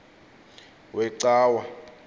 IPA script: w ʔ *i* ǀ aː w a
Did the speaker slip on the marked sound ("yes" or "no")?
yes